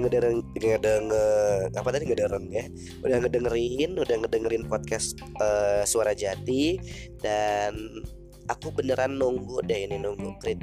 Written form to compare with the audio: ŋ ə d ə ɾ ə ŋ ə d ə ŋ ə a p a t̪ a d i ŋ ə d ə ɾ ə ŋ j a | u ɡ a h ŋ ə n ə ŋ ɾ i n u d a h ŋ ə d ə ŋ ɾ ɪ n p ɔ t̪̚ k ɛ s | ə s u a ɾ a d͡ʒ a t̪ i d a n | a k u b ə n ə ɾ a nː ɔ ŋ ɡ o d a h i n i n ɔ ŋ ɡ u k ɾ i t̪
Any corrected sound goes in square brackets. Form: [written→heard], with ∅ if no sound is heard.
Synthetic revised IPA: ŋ ə d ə ɾ ə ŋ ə d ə ŋ ə a p a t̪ a d i ŋ ə d ə ɾ ə ŋ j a | u [ɡ→d] a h ŋ ə [n→d] ə ŋ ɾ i n u d a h ŋ ə d ə ŋ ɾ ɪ n p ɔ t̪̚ k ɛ s | ə s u a ɾ a d͡ʒ a t̪ i d a n | a k u b ə n ə ɾ a nː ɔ ŋ ɡ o d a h i n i n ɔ ŋ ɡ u k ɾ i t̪